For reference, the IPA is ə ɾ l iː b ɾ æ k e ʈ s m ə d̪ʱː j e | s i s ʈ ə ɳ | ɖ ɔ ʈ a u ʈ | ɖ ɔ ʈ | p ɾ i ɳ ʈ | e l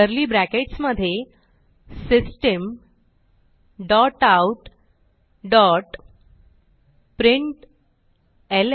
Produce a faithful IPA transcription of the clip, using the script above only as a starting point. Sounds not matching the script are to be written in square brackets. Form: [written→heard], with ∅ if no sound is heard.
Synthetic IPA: ə ɾ l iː b ɾ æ k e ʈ s m ə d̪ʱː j e | s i s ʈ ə [ɳ→m] | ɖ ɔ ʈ a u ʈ | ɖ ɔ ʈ | p ɾ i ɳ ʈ | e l

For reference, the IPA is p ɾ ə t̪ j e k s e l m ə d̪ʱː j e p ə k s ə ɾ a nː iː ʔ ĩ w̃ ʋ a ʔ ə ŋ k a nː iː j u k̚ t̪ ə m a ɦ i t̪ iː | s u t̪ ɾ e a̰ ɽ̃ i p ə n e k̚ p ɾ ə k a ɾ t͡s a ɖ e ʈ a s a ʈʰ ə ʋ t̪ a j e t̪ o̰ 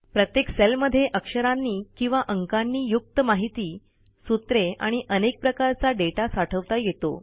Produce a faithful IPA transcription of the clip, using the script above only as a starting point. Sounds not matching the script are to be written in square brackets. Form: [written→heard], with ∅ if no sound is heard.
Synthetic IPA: p ɾ ə t̪ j e k s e l m ə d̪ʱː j e [p→ʔ] ə k [s→ʂ] ə ɾ a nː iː [ʔ→k] ĩ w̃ ʋ a ʔ ə ŋ k a nː iː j u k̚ t̪ ə m a ɦ i t̪ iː | s u t̪ ɾ e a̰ ɽ̃ i [p→ʔ] ə n e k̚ p ɾ ə k a ɾ t͡s a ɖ e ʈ a s a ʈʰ ə ʋ t̪ a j e t̪ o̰

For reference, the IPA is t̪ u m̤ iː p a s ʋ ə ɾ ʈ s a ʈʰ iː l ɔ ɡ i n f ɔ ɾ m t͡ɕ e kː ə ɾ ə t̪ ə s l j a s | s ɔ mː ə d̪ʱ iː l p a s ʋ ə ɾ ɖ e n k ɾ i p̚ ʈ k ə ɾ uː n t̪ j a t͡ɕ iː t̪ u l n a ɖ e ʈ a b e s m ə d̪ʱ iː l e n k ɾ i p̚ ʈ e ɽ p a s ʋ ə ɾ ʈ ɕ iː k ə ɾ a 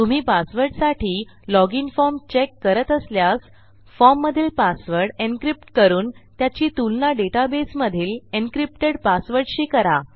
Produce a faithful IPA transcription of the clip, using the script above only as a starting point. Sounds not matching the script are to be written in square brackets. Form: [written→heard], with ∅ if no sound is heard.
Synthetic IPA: t̪ u m̤ iː p a s ʋ ə ɾ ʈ s a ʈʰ iː l ɔ ɡ i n f ɔ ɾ m t͡ɕ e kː ə ɾ ə t̪ ə s l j a s | [s→f] ɔ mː ə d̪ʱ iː l p a s ʋ ə ɾ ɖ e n k ɾ i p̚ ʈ k ə ɾ uː n t̪ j a t͡ɕ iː t̪ u l n a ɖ e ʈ a b e s m ə d̪ʱ iː l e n k ɾ i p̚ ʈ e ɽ p a s ʋ ə ɾ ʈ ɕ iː k ə ɾ a

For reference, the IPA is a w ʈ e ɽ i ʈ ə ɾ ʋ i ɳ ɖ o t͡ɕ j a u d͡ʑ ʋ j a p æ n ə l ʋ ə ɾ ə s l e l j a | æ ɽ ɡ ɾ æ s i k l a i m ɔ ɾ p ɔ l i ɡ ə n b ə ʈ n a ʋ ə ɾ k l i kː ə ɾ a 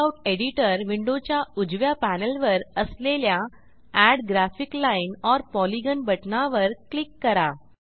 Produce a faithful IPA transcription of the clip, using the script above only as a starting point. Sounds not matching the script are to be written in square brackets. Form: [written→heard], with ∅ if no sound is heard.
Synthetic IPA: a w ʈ e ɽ i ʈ ə ɾ ʋ i ɳ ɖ o t͡ɕ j a u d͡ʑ ʋ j a p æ n ə l ʋ ə ɾ ə s l e l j a | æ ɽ ɡ ɾ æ [s→f] i k l a i [m→n] ɔ ɾ p ɔ l i ɡ ə n b ə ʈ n a ʋ ə ɾ k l i kː ə ɾ a

